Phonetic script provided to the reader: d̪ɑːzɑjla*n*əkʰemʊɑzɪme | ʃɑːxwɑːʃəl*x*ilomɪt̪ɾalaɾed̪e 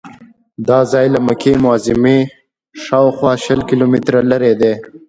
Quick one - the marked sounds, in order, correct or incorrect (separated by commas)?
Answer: incorrect, incorrect